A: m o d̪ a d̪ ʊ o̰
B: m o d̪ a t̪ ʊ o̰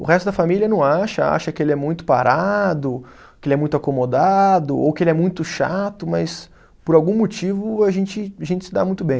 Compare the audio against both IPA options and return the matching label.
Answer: A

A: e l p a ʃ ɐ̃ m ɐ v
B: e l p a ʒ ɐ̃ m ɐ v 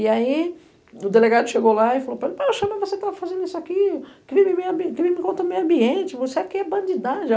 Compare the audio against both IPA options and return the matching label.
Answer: A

